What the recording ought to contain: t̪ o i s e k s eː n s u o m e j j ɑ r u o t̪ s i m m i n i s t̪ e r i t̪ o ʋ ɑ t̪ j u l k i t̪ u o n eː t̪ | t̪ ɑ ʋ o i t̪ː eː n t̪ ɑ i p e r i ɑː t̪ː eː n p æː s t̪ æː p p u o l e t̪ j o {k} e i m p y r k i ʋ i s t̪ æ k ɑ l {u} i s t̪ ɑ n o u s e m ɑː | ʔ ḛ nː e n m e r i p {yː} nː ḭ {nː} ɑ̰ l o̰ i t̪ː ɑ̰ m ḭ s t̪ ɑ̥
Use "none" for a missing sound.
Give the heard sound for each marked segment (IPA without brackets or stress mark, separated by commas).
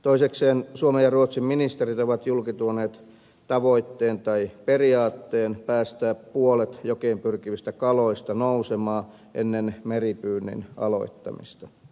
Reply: k, o, yː, n